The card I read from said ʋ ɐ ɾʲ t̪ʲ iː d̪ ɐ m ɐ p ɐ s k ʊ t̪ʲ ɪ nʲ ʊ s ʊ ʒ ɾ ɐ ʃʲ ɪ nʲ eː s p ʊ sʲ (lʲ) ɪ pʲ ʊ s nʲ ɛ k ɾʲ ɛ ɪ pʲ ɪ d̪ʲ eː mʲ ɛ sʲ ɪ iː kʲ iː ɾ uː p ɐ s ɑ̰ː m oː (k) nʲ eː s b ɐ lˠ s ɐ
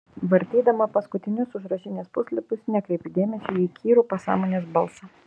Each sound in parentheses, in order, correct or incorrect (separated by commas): correct, incorrect